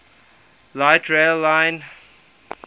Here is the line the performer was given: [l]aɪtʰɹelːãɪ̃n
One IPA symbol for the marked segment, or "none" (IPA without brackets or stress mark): l